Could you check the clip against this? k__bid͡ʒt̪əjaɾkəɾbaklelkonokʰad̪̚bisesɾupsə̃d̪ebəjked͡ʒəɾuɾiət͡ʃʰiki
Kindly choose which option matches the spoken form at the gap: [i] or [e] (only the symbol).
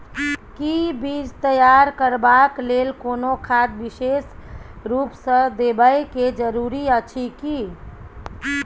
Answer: i